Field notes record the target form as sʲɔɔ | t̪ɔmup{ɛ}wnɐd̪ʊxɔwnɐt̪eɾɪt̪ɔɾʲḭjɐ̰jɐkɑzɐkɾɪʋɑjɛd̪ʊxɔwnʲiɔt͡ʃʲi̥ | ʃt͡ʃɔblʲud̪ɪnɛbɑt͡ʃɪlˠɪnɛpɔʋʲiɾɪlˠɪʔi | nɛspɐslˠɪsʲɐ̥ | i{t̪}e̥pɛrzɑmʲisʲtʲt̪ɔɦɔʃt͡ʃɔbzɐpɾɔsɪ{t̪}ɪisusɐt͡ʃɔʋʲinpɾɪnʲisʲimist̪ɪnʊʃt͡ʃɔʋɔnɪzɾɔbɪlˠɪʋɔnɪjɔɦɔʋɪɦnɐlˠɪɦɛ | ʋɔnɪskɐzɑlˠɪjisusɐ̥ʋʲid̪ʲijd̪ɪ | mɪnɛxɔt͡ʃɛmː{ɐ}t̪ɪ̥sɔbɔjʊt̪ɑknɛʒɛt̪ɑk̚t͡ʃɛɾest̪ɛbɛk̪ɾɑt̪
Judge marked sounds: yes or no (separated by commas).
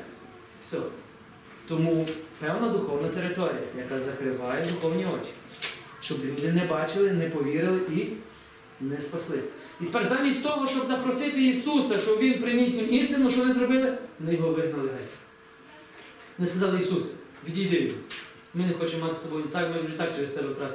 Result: yes, yes, yes, no